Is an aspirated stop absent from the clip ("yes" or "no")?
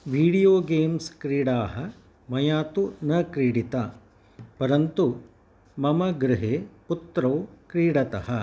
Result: yes